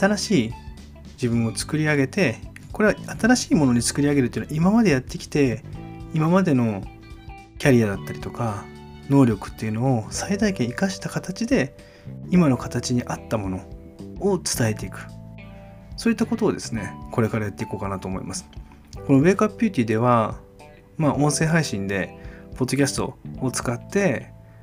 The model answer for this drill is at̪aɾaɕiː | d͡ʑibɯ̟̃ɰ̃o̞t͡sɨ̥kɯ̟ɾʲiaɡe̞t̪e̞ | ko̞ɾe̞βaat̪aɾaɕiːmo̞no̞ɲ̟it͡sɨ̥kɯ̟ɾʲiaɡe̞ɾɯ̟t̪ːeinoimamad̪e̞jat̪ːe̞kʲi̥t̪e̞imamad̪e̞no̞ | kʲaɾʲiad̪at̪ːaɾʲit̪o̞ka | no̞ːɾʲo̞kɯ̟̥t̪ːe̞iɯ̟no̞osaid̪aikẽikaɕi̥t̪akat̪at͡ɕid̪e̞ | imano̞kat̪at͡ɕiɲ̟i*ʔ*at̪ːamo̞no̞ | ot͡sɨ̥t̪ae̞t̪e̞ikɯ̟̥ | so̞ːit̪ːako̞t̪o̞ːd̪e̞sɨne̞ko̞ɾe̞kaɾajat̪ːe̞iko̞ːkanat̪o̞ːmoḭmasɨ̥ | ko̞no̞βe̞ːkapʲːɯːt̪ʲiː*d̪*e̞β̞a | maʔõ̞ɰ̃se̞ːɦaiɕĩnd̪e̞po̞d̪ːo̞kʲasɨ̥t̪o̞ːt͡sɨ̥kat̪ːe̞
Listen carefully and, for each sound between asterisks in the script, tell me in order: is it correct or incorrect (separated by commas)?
correct, correct